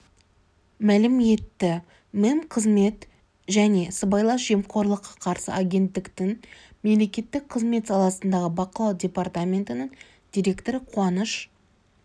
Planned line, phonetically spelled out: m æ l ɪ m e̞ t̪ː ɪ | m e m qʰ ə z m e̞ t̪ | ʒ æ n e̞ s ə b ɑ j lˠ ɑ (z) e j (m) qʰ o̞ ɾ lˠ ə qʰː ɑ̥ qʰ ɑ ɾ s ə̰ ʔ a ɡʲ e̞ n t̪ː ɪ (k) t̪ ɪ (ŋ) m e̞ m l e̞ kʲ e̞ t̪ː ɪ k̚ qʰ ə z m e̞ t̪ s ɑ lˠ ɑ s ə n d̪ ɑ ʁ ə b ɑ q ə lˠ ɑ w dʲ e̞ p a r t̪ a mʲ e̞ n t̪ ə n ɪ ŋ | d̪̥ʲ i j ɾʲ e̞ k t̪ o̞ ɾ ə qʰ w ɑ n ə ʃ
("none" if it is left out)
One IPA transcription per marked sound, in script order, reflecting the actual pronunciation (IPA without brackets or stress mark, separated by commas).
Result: ʒ, m, k, ŋ